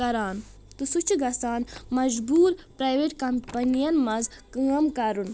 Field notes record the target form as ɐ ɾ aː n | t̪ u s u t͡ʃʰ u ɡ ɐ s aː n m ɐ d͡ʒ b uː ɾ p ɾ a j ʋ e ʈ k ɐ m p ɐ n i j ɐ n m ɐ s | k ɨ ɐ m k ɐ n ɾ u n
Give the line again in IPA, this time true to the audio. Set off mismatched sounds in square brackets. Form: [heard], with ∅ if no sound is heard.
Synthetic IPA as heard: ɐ ɾ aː n | t̪ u s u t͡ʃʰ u ɡ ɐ s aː n m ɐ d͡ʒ b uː ɾ p ɾ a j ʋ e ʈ k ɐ m p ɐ n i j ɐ n m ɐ [z] | k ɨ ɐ m k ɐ [∅] ɾ u n